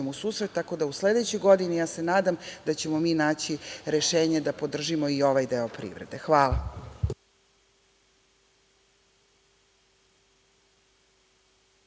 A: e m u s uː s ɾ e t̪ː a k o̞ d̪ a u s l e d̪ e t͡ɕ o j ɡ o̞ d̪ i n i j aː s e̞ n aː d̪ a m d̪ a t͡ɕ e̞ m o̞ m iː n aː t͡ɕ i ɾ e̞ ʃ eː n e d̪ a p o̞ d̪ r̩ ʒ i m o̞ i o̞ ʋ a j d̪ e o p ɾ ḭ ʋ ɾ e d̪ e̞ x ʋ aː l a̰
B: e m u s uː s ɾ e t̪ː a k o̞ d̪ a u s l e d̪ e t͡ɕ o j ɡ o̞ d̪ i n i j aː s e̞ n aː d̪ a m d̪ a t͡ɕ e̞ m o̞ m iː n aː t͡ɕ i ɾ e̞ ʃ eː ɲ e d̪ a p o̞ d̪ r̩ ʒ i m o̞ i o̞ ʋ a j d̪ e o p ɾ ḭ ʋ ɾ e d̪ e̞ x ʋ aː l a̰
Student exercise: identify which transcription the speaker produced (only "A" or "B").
B